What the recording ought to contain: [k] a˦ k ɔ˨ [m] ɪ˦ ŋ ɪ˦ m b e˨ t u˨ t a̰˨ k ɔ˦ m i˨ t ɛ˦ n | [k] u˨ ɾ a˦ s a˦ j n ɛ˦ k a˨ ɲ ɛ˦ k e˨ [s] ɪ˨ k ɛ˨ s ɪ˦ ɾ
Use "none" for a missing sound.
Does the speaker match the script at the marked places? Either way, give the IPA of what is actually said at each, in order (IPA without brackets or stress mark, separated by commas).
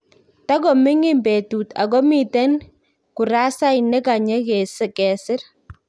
t, m, k, s